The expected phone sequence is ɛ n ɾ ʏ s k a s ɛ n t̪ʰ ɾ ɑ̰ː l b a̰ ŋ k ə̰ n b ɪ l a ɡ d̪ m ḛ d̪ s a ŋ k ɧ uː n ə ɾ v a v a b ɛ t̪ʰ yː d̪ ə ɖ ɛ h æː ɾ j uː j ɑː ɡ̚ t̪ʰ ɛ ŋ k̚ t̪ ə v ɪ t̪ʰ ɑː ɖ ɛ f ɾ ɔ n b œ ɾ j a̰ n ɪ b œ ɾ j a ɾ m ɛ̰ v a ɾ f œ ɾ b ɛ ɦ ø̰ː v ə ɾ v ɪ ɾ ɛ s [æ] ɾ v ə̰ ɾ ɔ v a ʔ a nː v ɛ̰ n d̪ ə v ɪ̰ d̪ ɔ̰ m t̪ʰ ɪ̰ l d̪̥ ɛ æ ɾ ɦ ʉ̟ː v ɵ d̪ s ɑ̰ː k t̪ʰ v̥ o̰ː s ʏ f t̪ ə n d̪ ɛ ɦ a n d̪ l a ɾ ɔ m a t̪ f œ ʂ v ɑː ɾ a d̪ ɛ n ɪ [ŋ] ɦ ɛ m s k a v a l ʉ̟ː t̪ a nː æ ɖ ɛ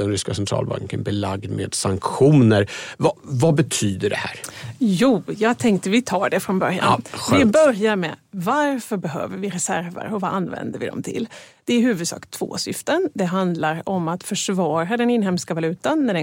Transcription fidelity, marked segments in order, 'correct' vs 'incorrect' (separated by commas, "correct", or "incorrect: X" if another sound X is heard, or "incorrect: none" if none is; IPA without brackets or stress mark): correct, incorrect: n